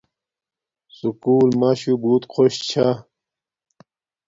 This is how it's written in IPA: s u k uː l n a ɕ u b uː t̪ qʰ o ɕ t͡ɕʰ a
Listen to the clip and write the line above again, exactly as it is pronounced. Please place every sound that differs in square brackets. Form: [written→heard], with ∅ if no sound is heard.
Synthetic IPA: s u k uː l [n→m] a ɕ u b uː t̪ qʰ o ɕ t͡ɕʰ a